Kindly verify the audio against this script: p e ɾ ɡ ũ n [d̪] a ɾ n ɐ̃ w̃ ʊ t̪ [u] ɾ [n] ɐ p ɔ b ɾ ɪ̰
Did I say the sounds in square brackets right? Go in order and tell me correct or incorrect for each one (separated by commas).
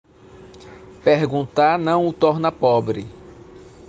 incorrect, incorrect, correct